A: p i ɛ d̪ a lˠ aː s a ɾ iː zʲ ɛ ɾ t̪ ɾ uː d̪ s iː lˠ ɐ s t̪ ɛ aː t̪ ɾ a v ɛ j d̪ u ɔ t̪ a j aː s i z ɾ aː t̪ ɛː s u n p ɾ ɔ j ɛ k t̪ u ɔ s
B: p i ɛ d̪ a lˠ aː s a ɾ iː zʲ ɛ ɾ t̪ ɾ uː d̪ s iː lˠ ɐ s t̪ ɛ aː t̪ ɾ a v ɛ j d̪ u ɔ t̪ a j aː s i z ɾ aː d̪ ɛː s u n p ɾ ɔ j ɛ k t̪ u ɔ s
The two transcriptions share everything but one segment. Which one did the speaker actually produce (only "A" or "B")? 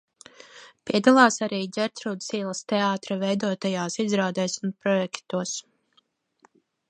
B